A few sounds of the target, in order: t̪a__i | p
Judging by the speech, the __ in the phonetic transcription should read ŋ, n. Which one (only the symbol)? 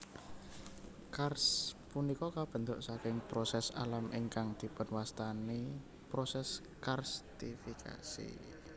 n